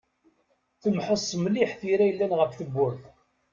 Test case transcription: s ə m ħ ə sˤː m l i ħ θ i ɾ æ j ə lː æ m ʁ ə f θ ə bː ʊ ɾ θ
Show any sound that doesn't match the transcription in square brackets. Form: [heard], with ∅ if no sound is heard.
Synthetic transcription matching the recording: [θ] ə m ħ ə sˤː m l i ħ θ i ɾ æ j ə lː æ [n] ʁ ə f θ ə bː ʊ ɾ θ